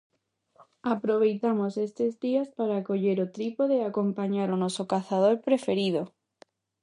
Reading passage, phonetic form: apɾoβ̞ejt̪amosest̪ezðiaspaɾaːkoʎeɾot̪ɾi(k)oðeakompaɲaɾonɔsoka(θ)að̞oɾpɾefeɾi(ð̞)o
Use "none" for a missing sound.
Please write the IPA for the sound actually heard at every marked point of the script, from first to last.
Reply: p, θ, ð̞

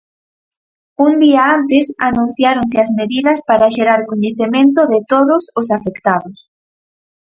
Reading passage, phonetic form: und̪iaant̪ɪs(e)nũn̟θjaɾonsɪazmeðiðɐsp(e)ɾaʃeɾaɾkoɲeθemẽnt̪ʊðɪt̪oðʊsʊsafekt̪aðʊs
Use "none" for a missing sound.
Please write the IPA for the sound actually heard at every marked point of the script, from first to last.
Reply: a, a

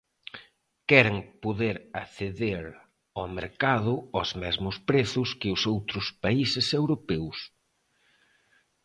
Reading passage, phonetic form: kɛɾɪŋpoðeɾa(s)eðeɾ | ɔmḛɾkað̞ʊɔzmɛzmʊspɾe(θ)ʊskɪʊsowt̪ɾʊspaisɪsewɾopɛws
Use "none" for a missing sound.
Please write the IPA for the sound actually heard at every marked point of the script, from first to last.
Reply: θ, θ

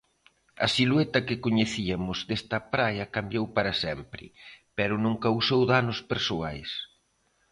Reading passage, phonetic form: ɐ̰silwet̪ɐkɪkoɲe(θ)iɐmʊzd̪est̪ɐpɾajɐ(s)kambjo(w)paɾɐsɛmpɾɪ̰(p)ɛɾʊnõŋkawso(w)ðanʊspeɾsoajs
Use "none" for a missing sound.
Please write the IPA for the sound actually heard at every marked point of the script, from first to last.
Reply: θ, none, w, p, w

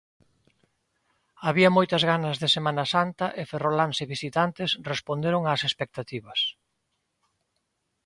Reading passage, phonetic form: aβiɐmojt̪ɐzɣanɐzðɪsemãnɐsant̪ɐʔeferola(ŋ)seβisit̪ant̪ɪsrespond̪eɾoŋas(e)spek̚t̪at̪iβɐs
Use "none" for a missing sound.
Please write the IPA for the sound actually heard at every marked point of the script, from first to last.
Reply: n, e

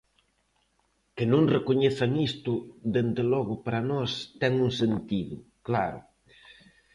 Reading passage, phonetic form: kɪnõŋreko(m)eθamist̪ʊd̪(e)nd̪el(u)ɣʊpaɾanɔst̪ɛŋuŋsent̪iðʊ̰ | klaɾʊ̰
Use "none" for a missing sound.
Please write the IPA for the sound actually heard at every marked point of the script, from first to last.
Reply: ɲ, e, ɔ

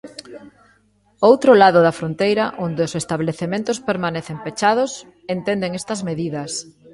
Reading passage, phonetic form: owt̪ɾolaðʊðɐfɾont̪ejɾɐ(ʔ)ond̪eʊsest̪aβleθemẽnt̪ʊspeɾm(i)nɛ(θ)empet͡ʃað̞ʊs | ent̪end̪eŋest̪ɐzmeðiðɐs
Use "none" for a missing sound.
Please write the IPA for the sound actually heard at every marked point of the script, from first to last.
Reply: ʔ, a, θ

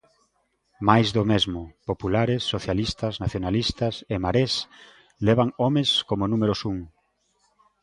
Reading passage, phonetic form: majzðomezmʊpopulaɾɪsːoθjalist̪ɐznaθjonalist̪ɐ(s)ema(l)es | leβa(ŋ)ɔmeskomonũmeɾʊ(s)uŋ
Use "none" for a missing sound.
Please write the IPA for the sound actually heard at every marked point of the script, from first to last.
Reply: s, ɾ, ŋ, s

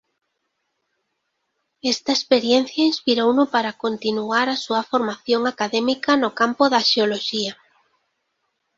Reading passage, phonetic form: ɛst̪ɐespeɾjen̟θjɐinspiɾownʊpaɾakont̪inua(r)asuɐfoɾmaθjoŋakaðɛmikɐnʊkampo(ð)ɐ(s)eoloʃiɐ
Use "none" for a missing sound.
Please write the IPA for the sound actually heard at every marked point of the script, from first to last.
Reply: ɾ, ð, ʃ

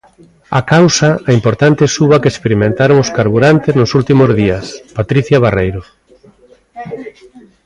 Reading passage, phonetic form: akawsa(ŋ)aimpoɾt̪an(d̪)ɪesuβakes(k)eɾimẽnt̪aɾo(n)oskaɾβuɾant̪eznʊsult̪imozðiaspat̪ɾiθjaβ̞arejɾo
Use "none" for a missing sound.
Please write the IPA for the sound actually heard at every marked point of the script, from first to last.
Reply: none, t̪, p, ŋ

